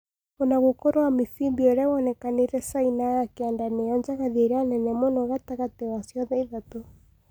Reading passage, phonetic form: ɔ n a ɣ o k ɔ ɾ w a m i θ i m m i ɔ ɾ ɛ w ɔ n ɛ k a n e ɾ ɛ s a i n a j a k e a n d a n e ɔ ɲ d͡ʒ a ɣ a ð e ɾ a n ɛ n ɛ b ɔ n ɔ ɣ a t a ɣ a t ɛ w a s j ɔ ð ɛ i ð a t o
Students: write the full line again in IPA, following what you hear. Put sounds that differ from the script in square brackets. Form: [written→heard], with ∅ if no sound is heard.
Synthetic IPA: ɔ n a ɣ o k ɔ ɾ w a m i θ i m [m→b] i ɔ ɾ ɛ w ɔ n ɛ k a n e ɾ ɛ s a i n a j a k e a n d a n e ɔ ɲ d͡ʒ a ɣ a ð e ɾ a n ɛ n ɛ [b→m] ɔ n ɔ ɣ a t a ɣ a t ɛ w a s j ɔ ð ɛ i ð a t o